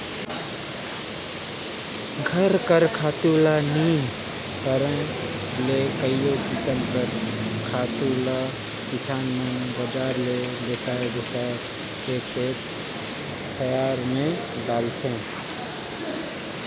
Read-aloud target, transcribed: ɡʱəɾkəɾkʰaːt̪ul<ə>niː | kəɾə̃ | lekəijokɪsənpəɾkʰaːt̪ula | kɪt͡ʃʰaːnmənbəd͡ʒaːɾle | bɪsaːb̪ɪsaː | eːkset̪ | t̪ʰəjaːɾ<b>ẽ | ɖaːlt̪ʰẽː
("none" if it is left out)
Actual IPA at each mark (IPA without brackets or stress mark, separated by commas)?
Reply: a, m